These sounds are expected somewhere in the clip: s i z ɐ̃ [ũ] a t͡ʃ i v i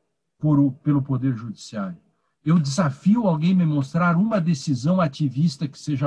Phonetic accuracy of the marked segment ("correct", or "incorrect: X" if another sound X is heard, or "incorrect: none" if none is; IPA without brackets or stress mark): incorrect: w̃